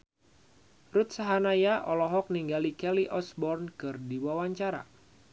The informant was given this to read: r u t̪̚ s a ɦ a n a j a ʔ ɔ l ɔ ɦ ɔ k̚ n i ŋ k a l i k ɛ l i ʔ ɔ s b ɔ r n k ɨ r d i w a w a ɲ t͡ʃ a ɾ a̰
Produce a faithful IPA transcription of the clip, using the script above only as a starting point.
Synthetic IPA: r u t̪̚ s a ɦ a n a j a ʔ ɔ l ɔ ɦ ɔ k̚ n i ŋ ɡ a l i k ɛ l i ʔ ɔ s b ɔ r n k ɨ r d i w a w a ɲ t͡ʃ a ɾ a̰